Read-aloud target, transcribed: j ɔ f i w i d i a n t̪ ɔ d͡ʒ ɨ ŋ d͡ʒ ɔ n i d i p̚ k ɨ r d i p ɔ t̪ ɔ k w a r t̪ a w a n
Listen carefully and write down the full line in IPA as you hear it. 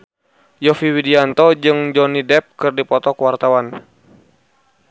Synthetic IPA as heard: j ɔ f i w i d i a n t̪ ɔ d͡ʒ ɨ ŋ d͡ʒ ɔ n i d ɛ p̚ k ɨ r d i p ɔ t̪ ɔ k w a r t̪ a w a n